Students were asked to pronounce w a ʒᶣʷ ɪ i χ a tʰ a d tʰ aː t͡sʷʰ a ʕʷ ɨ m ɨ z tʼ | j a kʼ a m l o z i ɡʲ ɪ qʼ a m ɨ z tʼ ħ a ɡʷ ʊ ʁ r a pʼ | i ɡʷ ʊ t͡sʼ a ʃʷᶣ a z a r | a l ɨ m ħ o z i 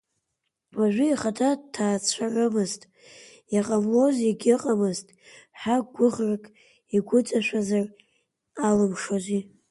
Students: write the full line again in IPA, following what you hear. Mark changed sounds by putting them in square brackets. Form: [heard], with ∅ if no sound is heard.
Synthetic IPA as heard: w a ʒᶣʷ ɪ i χ a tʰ a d tʰ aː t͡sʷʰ a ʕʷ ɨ m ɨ z tʼ | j a [qʼ] a m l o z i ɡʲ ɪ qʼ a m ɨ z tʼ ħ a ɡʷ ʊ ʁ r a [kʼ] | i ɡʷ ʊ t͡sʼ a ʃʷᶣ a z a r | a l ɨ m [ʂ] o z i